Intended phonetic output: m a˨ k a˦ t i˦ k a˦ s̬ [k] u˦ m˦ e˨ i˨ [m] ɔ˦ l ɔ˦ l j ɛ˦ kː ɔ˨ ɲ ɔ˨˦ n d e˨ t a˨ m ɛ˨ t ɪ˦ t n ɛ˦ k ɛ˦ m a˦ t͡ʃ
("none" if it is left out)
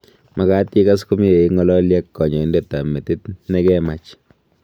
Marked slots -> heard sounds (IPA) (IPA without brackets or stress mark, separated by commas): k, ŋ